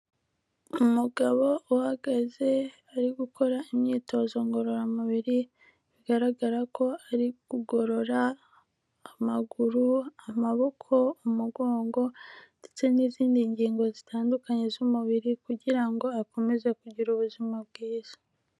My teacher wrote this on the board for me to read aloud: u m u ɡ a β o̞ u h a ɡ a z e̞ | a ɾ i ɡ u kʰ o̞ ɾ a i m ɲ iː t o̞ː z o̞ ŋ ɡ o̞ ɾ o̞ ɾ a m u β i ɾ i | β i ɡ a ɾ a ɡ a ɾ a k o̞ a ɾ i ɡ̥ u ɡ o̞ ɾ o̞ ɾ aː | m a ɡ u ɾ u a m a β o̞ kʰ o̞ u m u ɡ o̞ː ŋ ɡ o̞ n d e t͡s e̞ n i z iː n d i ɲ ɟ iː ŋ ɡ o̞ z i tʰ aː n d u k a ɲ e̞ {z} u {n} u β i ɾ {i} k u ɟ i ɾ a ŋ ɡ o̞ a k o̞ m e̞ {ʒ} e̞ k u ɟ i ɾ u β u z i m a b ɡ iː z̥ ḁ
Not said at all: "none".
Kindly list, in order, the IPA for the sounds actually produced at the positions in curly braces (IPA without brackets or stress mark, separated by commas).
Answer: z, m, i, z